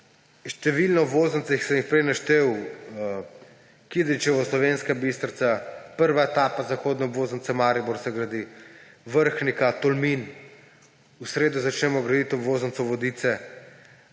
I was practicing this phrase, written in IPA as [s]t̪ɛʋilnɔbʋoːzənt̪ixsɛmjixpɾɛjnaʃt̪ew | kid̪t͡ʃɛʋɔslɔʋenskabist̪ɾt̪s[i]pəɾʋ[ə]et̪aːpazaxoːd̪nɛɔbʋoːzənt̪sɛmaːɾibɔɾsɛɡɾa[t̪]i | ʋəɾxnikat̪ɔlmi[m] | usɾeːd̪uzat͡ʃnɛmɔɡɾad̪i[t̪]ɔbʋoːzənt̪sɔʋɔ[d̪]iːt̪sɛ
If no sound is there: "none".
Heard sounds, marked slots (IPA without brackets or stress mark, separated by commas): ʃ, a, a, d̪, n, t̪, d̪